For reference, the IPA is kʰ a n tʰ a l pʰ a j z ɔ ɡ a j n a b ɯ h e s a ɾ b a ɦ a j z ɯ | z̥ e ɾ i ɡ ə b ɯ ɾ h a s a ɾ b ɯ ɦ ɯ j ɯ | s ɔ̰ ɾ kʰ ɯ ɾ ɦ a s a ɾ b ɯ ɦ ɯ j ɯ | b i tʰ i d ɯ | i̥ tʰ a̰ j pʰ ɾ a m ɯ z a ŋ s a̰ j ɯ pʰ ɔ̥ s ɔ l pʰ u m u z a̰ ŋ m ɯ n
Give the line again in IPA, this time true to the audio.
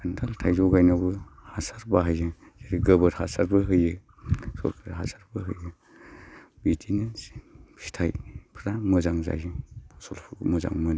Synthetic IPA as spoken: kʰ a n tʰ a l tʰ a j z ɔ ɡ a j n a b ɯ h a s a ɾ b a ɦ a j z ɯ | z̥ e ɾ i ɡ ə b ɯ ɾ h a s a ɾ b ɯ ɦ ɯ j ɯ | s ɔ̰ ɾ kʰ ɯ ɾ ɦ a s a ɾ b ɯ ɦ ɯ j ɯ | b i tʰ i n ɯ | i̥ tʰ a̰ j pʰ ɾ a m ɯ z a ŋ z a̰ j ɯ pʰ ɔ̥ s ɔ l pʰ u m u z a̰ ŋ m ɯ n